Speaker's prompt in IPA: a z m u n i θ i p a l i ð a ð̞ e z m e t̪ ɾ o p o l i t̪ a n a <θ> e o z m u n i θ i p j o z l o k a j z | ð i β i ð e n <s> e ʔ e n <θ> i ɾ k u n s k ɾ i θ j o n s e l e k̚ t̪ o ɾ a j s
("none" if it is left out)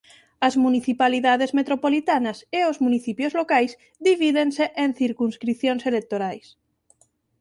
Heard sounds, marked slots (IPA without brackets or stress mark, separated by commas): s, s, θ